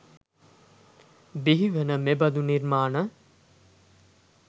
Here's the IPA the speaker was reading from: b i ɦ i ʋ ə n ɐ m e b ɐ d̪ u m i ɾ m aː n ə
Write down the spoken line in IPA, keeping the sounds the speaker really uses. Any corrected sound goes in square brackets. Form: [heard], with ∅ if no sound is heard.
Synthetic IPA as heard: b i ɦ i ʋ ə n [ə] m e b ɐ d̪ u [n] i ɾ m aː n ə